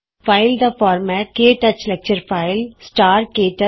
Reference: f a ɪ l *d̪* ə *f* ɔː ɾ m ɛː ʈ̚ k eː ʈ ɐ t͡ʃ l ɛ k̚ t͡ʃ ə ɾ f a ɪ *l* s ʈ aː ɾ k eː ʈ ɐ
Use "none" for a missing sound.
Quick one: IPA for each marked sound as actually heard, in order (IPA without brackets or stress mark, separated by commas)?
d̪, f, l